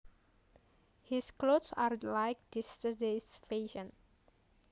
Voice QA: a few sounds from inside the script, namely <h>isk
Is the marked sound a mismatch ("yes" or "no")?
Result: no